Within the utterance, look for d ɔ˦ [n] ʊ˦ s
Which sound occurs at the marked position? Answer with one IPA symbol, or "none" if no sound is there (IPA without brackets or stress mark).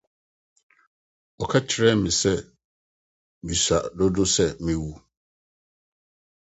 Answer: d